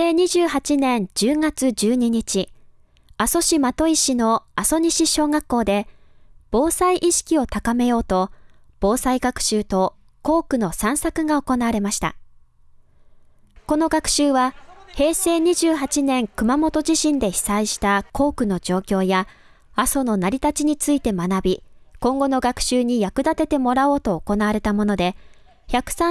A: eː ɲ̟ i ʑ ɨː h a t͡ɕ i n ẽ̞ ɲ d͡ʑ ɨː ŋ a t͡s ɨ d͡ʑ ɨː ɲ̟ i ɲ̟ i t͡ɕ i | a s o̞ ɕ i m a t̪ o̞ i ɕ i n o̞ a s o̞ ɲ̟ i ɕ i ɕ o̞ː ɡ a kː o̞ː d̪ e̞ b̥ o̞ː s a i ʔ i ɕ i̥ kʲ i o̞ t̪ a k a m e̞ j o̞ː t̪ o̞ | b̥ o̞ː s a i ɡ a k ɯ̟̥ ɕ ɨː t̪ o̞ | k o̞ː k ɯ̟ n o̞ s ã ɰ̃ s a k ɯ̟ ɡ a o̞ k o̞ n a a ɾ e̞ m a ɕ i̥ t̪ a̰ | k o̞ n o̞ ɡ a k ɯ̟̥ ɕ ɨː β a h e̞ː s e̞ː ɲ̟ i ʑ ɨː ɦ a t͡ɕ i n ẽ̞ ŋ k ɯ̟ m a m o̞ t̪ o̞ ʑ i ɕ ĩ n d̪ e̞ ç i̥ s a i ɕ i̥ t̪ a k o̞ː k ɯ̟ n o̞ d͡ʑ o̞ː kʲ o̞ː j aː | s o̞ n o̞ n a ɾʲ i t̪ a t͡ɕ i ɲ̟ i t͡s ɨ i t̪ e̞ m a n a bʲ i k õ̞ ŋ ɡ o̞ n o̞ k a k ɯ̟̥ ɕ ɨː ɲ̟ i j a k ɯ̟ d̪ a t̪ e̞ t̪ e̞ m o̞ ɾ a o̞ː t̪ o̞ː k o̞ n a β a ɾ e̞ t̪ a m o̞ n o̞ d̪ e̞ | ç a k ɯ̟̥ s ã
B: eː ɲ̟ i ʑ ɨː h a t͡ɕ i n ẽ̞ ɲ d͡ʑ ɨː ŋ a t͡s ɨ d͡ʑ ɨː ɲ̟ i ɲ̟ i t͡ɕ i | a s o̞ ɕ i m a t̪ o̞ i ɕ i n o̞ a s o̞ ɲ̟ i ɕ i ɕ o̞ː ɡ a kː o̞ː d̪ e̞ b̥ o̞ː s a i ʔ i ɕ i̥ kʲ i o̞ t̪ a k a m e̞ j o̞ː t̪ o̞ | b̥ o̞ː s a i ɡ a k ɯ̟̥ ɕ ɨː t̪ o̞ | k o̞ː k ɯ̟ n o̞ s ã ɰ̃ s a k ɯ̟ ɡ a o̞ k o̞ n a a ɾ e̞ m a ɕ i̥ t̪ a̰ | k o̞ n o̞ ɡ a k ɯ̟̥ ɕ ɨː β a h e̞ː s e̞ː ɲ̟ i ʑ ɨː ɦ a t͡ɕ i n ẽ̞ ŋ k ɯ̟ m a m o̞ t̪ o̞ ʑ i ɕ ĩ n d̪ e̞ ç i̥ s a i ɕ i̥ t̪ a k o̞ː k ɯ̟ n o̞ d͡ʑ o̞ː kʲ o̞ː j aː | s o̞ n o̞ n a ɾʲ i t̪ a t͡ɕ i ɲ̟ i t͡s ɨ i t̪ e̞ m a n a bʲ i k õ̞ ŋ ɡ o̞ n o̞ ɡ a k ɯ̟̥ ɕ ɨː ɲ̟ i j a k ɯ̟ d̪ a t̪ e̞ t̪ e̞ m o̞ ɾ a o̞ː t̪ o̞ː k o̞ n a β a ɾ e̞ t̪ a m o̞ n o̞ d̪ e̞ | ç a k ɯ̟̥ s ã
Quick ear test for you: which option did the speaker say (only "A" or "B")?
B